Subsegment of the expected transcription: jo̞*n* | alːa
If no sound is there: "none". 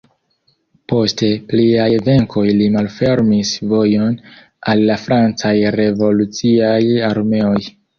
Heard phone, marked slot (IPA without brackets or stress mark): n